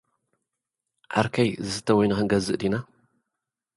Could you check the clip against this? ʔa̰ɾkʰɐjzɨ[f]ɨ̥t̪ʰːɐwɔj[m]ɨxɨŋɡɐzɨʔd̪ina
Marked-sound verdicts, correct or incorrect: incorrect, incorrect

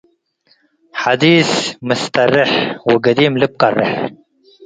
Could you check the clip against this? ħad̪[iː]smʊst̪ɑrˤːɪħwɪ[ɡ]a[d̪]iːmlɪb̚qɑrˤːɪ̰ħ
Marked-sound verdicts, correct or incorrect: correct, correct, correct

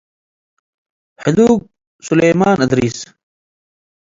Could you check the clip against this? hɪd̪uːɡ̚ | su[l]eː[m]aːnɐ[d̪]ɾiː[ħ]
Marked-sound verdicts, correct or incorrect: correct, correct, correct, incorrect

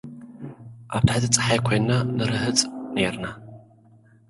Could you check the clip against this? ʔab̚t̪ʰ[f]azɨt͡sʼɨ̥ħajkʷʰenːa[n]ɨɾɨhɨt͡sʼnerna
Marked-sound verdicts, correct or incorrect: incorrect, correct

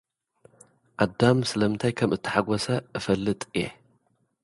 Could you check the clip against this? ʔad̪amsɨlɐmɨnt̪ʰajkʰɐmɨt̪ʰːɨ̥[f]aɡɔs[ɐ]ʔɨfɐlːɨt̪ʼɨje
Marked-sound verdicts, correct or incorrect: incorrect, correct

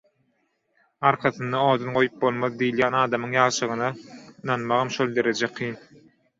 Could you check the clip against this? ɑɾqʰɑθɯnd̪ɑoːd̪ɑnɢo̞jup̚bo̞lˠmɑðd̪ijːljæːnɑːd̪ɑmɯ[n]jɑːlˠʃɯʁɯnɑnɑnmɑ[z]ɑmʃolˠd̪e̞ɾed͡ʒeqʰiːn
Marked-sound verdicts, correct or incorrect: incorrect, incorrect

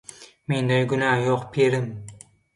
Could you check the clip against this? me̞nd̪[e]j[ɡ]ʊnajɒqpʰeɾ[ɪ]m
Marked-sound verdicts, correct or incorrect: incorrect, correct, correct

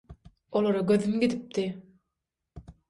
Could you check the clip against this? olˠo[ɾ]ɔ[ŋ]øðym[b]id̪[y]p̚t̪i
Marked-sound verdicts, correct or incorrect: correct, incorrect, incorrect, incorrect

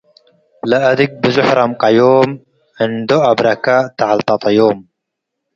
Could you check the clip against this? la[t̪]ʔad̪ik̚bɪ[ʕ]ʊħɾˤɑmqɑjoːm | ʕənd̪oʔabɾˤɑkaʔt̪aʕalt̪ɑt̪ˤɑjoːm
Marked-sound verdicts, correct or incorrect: incorrect, incorrect

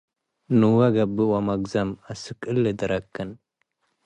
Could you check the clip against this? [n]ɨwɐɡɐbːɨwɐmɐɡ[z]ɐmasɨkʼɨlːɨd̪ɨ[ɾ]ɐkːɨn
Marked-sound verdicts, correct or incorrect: correct, correct, correct

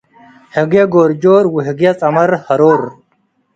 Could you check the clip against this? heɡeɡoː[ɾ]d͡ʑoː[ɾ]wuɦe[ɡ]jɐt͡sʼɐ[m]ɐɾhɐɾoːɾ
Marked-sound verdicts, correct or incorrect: correct, correct, correct, correct

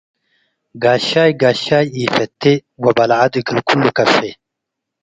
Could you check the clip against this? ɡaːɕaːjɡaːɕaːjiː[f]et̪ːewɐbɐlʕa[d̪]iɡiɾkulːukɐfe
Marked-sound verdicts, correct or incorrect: correct, correct

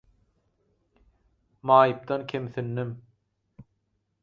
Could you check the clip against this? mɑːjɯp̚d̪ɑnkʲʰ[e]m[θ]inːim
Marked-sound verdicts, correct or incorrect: correct, correct

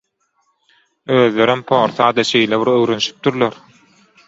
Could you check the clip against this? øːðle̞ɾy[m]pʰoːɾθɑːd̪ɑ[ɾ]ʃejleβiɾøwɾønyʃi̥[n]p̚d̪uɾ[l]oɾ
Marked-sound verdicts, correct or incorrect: correct, incorrect, incorrect, correct

